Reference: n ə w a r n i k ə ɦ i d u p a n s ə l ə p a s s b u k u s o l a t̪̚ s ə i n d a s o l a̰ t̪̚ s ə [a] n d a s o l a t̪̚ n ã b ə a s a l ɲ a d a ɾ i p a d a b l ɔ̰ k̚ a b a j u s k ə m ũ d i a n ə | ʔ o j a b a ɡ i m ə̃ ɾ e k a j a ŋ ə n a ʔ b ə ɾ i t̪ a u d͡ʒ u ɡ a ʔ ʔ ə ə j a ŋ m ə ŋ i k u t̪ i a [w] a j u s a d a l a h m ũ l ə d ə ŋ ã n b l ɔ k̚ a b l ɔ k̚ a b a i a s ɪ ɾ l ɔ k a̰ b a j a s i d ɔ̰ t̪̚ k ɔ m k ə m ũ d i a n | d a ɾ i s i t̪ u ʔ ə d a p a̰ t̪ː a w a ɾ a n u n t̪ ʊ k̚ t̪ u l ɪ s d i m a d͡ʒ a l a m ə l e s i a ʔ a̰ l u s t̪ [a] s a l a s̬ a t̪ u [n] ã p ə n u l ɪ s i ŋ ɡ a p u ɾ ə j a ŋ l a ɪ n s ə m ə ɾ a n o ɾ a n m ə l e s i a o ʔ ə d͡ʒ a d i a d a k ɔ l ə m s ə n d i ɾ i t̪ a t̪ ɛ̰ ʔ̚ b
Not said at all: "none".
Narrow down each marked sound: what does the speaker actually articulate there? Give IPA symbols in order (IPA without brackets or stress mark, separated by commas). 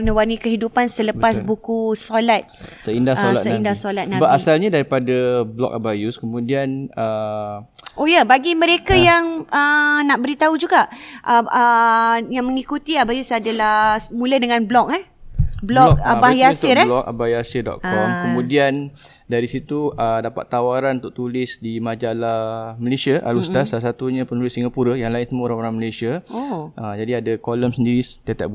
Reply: i, b, a, ɲ